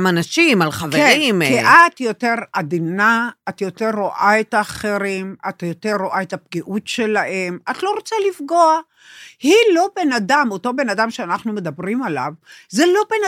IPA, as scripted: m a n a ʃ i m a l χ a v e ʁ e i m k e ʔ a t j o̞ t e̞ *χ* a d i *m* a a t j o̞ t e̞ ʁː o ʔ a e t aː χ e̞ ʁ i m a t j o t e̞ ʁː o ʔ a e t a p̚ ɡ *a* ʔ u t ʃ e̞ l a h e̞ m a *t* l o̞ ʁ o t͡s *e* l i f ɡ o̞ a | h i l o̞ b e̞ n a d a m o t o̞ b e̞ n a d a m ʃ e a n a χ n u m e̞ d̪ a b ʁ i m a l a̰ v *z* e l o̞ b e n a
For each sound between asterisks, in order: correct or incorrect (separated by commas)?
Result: incorrect, incorrect, incorrect, correct, incorrect, correct